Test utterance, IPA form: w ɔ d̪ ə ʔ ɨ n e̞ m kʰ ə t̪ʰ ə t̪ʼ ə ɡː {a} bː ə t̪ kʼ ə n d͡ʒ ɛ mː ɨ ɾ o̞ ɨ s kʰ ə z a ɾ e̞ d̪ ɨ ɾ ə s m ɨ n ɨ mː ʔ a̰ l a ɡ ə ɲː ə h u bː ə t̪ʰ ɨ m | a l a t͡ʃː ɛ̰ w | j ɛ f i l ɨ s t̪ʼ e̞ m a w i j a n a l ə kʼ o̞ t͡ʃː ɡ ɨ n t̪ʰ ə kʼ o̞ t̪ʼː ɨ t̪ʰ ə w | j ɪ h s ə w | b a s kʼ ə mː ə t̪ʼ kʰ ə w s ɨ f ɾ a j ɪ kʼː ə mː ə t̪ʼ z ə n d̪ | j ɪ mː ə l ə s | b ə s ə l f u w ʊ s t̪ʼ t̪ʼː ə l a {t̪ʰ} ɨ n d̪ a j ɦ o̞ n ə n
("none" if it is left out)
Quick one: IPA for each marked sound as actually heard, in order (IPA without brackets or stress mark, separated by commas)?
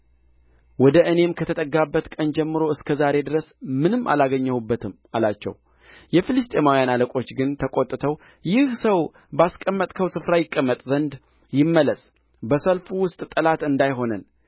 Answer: a, t̪